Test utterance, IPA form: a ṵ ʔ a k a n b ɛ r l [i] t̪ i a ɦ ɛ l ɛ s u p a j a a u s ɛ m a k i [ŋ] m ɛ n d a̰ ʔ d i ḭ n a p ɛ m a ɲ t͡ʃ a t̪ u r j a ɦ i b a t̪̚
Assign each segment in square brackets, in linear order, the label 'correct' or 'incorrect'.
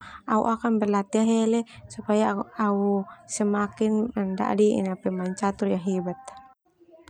incorrect: a, incorrect: n

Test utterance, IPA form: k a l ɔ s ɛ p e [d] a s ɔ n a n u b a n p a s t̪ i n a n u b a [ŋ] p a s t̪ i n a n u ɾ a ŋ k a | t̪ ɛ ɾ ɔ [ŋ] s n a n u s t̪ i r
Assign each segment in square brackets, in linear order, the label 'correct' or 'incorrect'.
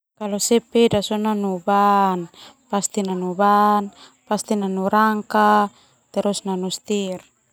correct, incorrect: n, incorrect: none

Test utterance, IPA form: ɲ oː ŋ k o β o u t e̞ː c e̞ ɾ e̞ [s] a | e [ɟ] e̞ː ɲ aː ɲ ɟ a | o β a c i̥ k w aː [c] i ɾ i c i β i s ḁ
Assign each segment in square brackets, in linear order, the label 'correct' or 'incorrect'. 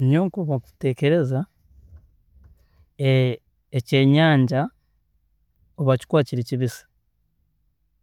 incorrect: z, incorrect: c, correct

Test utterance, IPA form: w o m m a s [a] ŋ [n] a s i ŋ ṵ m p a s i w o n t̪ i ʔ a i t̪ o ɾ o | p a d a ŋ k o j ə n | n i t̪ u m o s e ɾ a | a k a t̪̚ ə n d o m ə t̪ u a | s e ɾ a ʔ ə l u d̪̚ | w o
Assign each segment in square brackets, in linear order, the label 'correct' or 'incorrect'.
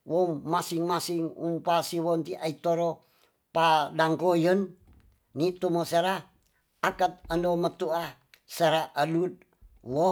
incorrect: i, incorrect: m

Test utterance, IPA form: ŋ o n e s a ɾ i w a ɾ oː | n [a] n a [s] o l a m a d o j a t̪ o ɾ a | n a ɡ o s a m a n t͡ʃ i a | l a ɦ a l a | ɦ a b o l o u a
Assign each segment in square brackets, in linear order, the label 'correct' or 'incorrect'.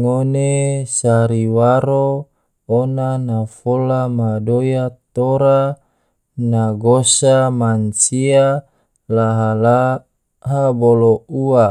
correct, incorrect: f

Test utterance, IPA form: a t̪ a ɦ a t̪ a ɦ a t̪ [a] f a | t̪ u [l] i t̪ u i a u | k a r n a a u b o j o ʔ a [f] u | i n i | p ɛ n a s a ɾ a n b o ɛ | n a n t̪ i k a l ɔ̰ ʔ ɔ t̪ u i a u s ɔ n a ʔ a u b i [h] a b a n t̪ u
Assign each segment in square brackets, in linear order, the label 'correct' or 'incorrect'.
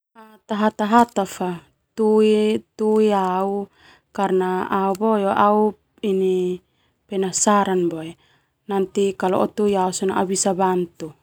correct, incorrect: none, incorrect: none, incorrect: s

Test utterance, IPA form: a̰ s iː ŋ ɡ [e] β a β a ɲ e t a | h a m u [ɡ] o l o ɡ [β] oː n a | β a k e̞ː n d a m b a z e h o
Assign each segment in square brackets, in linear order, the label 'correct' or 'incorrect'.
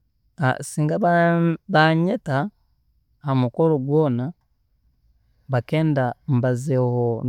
incorrect: a, incorrect: k, incorrect: w

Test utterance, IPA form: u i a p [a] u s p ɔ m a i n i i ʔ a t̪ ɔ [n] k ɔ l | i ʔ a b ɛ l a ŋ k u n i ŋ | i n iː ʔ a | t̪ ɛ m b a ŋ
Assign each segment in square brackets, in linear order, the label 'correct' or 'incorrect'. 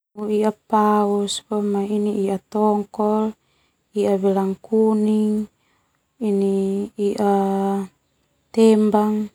correct, incorrect: ŋ

